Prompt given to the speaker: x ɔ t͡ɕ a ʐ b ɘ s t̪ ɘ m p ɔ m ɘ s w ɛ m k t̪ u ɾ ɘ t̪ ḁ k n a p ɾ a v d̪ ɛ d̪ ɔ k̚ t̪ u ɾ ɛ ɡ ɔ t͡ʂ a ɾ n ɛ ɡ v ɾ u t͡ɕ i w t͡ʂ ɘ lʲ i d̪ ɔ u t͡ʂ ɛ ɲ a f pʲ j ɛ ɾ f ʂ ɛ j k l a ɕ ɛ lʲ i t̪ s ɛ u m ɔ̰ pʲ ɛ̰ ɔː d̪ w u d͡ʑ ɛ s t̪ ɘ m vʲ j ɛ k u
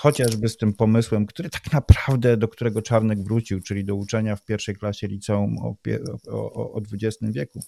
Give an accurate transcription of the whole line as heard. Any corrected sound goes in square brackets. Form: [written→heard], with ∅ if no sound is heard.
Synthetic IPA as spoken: x ɔ t͡ɕ a ʐ b ɘ s t̪ ɘ m p ɔ m ɘ s w ɛ m k t̪ u ɾ ɘ t̪ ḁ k n a p ɾ a v d̪ ɛ d̪ ɔ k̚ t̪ u ɾ ɛ ɡ ɔ t͡ʂ a ɾ n ɛ ɡ v ɾ u t͡ɕ i w t͡ʂ ɘ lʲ i d̪ ɔ u t͡ʂ ɛ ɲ a f pʲ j ɛ ɾ f ʂ ɛ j k l a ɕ ɛ lʲ i t̪ s ɛ u m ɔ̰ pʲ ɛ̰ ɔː d̪ [w→v] u d͡ʑ ɛ s t̪ ɘ m vʲ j ɛ k u